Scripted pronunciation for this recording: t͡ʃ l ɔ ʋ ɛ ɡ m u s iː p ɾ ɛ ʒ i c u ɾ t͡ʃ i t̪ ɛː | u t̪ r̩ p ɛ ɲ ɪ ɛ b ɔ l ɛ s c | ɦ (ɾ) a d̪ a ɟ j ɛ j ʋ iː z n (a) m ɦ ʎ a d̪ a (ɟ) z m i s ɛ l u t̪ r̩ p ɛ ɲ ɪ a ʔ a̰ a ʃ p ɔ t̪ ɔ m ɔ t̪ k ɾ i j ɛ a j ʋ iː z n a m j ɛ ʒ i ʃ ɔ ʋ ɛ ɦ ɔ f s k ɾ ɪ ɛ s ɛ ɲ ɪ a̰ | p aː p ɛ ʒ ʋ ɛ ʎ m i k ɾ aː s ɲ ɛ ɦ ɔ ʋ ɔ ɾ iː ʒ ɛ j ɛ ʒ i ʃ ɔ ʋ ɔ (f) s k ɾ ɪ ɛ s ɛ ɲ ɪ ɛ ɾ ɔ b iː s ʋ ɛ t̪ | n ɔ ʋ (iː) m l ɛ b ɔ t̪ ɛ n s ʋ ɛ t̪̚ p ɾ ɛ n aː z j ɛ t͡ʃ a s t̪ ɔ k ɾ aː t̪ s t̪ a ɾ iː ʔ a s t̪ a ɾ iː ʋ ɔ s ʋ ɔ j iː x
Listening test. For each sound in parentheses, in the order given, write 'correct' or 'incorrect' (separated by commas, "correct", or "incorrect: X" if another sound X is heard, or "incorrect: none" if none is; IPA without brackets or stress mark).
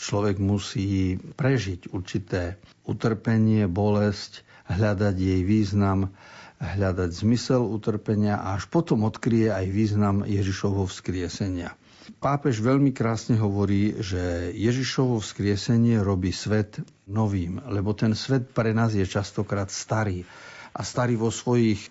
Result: incorrect: ʎ, correct, correct, correct, correct